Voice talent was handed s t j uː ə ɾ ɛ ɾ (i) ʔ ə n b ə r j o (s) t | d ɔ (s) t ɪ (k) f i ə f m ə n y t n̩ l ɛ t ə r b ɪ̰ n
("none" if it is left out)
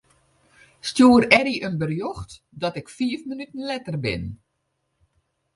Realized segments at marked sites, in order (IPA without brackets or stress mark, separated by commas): i, x, none, k